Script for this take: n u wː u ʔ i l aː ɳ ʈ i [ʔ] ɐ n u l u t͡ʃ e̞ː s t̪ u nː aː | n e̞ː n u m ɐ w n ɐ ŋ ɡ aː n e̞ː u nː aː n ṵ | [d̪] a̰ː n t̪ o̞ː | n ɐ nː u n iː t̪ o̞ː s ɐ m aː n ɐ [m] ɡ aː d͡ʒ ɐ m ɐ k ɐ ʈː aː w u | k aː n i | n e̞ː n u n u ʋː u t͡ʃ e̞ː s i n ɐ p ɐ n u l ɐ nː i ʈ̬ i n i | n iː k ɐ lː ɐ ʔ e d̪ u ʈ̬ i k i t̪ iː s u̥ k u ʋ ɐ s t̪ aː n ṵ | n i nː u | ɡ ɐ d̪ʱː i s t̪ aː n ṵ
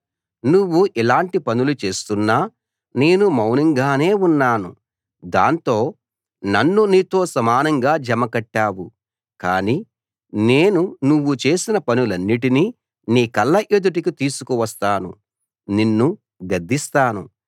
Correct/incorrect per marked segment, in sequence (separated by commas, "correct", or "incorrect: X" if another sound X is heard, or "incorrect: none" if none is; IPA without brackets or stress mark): incorrect: p, correct, incorrect: ŋ